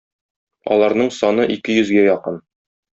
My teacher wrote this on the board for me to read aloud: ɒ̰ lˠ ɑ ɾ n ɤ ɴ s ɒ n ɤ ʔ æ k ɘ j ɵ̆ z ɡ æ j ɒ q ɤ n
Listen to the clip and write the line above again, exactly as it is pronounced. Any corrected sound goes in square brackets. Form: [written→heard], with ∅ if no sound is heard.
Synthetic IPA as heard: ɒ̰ lˠ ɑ ɾ n ɤ ɴ s ɒ n ɤ ʔ [æ→i] k ɘ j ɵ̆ z ɡ æ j ɒ q ɤ n